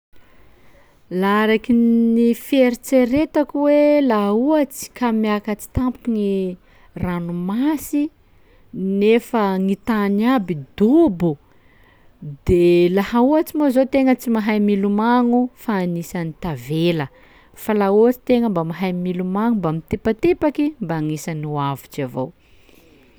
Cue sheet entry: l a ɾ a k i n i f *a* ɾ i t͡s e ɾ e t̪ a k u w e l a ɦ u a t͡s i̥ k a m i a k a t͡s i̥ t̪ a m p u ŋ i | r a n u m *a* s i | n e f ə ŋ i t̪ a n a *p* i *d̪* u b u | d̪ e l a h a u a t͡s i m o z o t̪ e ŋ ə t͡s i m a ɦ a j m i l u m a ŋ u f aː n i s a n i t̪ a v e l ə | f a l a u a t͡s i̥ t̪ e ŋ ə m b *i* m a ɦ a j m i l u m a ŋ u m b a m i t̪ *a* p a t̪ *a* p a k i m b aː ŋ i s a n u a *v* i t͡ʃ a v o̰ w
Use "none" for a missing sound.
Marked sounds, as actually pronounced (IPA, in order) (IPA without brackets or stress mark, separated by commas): e, a, b, d̪, a, e, e, v